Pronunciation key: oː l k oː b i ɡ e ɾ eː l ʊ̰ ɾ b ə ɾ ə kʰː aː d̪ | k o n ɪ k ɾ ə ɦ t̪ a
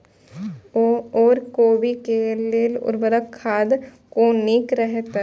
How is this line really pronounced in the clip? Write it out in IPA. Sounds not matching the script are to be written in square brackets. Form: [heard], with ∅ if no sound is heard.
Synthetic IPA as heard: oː [ɾ] k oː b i [k] e [l] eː l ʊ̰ ɾ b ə ɾ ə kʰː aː d̪ | k o n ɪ k ɾ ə ɦ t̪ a